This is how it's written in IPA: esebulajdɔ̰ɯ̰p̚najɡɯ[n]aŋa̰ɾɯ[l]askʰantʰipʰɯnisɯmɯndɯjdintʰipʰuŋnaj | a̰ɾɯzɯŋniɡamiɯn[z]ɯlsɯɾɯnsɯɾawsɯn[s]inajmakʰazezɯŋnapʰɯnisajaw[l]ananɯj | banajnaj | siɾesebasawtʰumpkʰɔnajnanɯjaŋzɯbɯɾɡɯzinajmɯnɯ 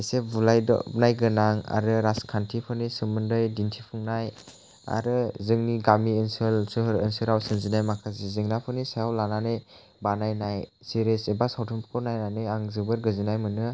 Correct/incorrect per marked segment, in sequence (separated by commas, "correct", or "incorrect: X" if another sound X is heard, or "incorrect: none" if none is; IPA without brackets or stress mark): correct, incorrect: ɾ, incorrect: s, incorrect: z, correct